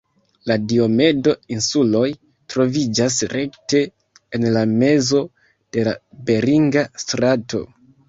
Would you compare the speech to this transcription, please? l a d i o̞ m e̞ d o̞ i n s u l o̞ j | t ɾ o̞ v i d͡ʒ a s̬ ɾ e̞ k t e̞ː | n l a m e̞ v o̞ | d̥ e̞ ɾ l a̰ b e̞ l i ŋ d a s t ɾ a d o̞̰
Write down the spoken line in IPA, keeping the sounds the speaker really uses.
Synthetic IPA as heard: l a d i o̞ m e̞ d o̞ i n s u l o̞ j | t ɾ o̞ v i d͡ʒ a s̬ ɾ e̞ k t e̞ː | n l a m e̞ z o̞ | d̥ e̞ l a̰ b e̞ ɾ i ŋ ɡ a s t ɾ a t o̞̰

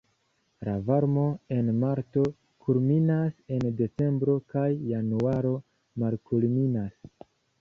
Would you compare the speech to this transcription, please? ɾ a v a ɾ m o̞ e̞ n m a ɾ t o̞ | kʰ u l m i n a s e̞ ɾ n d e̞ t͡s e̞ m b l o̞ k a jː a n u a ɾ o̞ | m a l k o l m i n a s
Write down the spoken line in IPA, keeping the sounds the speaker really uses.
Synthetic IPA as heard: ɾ a v a ɾ m o̞ e̞ n m a ɾ t o̞ | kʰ u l m i n a s e̞ n d e̞ t͡s e̞ m b ɾ o̞ k a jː a n u a ɾ o̞ | m a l k u l m i n a s

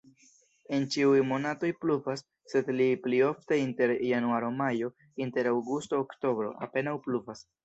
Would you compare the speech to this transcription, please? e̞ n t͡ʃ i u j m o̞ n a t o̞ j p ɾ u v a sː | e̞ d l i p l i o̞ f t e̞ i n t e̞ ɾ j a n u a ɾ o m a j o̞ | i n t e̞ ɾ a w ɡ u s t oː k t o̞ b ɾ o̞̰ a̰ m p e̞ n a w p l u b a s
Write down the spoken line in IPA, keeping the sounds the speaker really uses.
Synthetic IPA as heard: e̞ n t͡ʃ i u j m o̞ n a t o̞ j p l u v a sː | e̞ d l i p l i o̞ f t e̞ i n t e̞ ɾ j a n u a ɾ o m a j o̞ | i n t e̞ ɾ a w ɡ u s t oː k t o̞ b ɾ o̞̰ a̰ p e̞ n a w p l u v a s

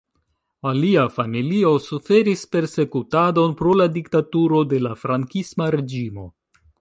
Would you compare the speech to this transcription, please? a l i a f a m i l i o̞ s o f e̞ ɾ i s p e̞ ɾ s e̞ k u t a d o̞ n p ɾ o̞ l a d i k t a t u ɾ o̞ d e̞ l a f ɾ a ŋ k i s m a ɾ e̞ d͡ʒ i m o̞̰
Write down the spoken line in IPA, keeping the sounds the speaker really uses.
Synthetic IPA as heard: a l i a f a m i l i o̞ s u f e̞ ɾ i s p e̞ ɾ s e̞ k u t a d o̞ n p ɾ o̞ l a d i k t a t u ɾ o̞ d e̞ l a f ɾ a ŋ k i s m a ɾ e̞ d͡ʒ i m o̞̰

